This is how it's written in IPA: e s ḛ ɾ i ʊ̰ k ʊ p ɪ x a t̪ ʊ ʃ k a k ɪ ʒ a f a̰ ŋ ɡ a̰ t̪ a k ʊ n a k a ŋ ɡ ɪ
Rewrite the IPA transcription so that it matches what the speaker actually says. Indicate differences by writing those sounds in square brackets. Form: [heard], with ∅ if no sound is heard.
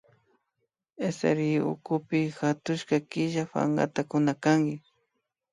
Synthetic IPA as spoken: e s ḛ ɾ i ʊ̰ k ʊ p ɪ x a t̪ ʊ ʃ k a k ɪ ʒ a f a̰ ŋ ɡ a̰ t̪ a k ʊ n a k a ŋ ɡ ɪ